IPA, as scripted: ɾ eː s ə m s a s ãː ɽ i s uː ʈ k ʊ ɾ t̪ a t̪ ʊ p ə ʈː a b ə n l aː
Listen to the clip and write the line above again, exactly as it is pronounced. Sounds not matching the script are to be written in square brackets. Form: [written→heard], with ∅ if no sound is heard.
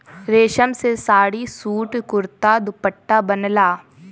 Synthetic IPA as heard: ɾ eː [s→ʃ] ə m s [a→e] s [ãː→aː] ɽ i s uː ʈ k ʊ ɾ t̪ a [t̪→d̪] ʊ p ə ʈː a b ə n l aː